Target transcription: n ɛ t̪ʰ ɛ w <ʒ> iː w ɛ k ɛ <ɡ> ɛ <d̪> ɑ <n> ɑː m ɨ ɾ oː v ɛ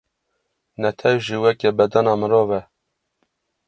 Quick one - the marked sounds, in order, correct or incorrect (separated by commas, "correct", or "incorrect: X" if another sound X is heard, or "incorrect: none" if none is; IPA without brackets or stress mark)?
correct, incorrect: b, correct, correct